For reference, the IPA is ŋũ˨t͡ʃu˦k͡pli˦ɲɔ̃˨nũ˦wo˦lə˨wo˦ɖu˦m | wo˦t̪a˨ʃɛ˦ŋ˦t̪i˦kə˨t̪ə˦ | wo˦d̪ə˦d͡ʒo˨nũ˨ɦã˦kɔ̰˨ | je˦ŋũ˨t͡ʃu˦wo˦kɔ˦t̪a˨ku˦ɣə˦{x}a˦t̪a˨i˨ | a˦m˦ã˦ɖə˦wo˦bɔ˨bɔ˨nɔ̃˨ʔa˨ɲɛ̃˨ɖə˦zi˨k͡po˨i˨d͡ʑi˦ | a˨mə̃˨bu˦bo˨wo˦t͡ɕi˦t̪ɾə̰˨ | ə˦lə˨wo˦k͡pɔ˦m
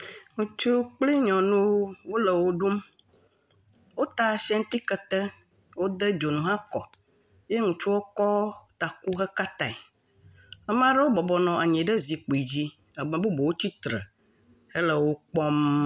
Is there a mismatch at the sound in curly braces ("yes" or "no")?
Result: yes